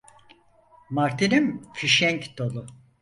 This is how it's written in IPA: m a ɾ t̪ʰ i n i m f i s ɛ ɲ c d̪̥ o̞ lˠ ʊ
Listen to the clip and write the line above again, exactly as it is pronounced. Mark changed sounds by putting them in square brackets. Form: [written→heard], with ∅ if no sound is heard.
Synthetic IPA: m a ɾ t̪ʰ i n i m f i [s→ʃ] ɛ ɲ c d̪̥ o̞ lˠ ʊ